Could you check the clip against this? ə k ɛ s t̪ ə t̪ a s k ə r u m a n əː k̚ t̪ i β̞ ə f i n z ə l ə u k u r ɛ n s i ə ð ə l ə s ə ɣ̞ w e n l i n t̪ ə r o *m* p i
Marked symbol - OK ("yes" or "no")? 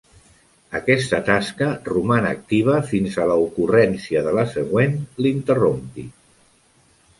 yes